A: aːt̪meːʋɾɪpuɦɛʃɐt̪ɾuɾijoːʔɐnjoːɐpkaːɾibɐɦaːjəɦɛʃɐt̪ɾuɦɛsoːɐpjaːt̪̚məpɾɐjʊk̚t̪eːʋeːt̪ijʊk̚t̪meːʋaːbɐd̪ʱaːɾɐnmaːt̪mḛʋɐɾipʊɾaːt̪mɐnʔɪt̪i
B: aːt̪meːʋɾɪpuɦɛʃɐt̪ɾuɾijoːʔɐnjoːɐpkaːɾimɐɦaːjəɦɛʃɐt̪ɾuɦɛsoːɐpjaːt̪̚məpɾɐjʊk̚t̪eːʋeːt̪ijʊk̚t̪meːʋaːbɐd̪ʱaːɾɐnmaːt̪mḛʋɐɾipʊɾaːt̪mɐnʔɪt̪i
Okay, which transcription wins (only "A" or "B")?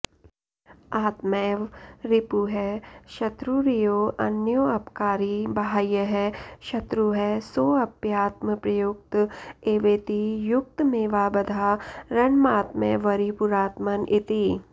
A